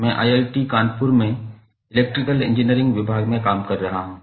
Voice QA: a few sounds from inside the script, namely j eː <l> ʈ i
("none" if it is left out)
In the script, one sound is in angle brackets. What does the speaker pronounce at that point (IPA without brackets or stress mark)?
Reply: l